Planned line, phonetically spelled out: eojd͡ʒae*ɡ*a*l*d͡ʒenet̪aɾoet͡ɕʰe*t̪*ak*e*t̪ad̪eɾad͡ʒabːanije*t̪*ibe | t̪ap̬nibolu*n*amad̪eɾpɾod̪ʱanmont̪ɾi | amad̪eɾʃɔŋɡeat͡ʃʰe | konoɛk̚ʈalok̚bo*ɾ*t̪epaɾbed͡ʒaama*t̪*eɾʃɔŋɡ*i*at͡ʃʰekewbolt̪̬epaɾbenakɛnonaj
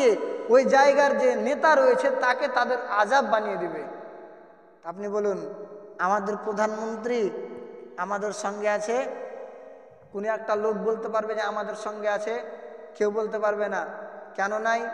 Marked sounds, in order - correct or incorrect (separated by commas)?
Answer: correct, incorrect, correct, correct, incorrect, correct, incorrect, incorrect, incorrect